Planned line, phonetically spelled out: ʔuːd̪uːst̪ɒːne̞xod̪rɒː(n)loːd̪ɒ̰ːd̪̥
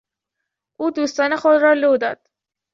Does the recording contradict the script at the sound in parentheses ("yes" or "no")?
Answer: yes